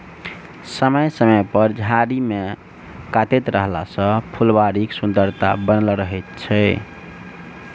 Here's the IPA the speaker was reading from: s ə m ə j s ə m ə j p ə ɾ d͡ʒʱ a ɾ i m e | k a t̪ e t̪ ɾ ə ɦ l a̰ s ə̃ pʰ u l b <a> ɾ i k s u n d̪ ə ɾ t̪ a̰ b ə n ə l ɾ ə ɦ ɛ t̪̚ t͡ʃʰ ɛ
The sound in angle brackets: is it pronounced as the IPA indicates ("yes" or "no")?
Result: yes